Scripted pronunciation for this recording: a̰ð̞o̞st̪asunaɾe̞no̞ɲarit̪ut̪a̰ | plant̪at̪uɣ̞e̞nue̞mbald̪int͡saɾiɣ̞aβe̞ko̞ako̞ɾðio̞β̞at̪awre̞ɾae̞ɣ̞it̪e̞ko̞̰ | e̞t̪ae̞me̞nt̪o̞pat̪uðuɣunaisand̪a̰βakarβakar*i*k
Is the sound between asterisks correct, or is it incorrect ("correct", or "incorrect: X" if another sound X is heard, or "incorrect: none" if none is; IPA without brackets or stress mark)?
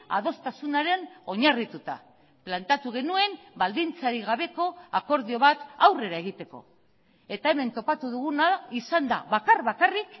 correct